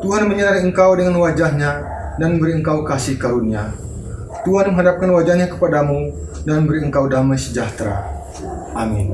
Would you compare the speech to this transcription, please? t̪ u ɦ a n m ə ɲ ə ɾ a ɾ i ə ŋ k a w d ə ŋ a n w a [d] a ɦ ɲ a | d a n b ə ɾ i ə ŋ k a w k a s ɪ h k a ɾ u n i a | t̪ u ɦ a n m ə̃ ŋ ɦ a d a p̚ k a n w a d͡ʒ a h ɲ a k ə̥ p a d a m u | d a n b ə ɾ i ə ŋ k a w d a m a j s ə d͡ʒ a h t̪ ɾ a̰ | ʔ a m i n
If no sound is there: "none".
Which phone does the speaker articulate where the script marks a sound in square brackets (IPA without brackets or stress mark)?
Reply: d͡ʒ